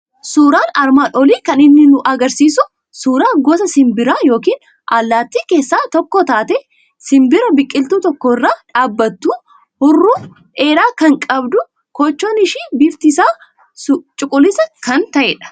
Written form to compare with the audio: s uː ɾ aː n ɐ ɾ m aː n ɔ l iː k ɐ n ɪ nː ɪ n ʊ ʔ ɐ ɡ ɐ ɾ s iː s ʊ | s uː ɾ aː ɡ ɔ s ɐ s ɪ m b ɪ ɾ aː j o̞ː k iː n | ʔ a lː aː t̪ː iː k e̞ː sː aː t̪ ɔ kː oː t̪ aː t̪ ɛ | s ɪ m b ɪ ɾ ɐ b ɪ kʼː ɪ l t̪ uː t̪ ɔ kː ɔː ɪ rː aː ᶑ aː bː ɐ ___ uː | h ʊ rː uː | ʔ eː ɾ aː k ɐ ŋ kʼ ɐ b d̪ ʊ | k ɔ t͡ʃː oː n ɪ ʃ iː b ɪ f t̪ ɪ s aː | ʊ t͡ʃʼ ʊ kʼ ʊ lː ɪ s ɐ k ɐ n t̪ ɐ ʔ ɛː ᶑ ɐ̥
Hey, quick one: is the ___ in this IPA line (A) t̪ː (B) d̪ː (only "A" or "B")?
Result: A